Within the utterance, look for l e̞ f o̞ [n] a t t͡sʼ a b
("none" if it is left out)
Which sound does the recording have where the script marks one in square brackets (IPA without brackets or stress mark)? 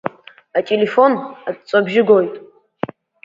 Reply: n